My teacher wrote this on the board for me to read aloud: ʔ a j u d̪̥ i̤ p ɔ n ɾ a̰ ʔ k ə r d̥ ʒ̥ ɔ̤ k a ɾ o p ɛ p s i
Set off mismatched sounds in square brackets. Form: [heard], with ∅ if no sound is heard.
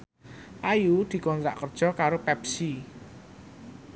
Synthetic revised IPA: ʔ a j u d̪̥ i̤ [k] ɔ n ɾ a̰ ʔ k ə r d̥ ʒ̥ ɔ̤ k a ɾ o p ɛ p s i